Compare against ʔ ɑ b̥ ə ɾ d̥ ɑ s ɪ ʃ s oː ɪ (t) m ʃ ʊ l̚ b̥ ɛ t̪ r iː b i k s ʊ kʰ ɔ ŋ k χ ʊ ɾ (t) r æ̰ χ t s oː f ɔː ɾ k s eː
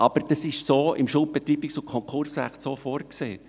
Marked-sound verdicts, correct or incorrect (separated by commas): incorrect, incorrect